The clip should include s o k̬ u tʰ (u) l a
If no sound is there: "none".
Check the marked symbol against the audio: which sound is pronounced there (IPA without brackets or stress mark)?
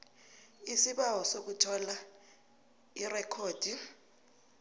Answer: ɔ